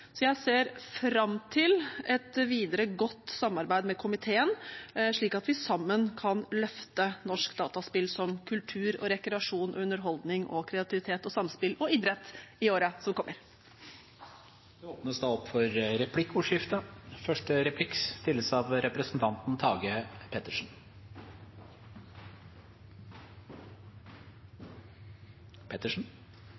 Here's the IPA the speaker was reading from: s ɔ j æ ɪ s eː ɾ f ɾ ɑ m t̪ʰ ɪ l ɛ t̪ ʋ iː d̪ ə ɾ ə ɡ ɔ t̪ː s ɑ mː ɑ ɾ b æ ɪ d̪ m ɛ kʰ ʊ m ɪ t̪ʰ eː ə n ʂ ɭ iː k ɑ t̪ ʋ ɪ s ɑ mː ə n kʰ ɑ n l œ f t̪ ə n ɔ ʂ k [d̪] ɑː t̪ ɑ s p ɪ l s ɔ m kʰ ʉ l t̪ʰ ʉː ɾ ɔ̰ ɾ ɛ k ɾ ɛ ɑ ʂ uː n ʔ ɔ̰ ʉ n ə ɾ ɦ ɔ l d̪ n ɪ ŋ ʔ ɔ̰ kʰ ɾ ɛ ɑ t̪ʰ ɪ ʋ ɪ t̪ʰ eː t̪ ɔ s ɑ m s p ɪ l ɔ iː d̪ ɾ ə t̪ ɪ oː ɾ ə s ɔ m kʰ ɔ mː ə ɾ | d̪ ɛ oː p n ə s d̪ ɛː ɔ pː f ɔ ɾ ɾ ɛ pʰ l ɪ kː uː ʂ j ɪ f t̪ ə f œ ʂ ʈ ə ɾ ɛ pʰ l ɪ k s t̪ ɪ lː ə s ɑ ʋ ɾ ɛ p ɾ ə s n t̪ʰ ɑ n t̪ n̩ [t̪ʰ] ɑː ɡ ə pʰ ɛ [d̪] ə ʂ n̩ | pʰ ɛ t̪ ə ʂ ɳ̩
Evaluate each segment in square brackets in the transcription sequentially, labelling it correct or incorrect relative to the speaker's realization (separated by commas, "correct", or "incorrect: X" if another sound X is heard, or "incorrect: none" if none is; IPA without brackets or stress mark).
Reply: correct, correct, incorrect: t̪